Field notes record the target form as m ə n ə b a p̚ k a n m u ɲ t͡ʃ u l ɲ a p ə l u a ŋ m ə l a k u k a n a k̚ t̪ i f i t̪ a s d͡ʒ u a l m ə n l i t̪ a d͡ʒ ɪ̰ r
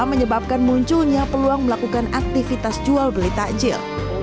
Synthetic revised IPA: m ə ɲ ə b a p̚ k a n m u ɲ t͡ʃ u l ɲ a p ə l u a ŋ m ə l a k u k a n a k̚ t̪ i f i t̪ a s d͡ʒ u a l b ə l i t̪ a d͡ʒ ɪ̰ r